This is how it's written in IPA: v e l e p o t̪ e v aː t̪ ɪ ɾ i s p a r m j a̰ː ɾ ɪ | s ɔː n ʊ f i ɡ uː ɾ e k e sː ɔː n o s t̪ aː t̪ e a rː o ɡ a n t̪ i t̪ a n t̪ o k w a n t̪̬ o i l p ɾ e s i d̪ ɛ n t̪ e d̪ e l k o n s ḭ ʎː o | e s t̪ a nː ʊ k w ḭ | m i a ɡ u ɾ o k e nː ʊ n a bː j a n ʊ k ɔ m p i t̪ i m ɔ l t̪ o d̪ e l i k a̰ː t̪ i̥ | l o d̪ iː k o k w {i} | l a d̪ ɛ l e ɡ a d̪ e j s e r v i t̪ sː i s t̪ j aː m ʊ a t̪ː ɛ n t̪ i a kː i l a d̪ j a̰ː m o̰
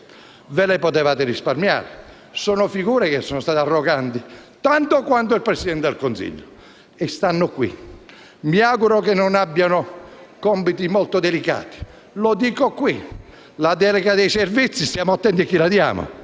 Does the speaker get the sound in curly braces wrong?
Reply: no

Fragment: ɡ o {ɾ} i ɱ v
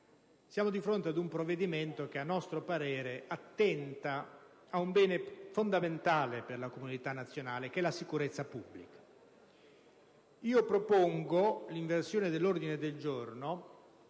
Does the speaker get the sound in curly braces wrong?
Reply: yes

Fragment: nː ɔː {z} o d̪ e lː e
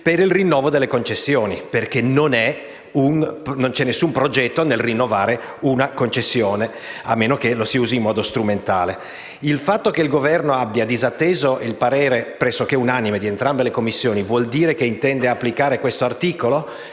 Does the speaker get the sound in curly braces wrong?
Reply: yes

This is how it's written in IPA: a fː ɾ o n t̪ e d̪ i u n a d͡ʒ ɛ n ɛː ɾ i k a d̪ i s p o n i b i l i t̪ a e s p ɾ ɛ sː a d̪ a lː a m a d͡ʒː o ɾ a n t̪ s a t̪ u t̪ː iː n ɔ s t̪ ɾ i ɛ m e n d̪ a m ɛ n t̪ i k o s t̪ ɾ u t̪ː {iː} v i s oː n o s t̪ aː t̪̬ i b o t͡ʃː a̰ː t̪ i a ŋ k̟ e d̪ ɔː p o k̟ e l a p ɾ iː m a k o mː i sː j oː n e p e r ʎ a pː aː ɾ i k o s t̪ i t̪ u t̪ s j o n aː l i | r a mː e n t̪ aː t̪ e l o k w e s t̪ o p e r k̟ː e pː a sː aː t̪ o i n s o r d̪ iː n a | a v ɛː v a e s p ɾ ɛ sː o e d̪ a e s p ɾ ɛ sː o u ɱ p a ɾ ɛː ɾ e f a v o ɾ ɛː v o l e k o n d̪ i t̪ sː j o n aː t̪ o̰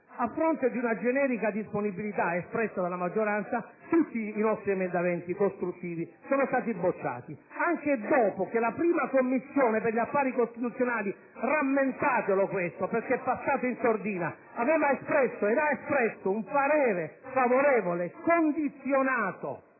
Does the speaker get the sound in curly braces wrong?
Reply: no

